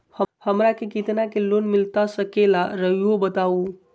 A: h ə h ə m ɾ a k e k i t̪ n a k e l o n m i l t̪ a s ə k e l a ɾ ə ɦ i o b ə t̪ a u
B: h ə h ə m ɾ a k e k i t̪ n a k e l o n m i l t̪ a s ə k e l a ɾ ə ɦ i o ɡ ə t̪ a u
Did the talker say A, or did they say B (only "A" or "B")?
A